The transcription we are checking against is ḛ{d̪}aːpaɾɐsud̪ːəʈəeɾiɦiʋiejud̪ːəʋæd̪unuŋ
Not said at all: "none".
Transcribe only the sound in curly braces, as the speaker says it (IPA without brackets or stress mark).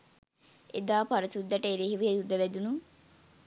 d̪